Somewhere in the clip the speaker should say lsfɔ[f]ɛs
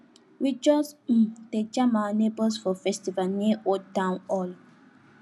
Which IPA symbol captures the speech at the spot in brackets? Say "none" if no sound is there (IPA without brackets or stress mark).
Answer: f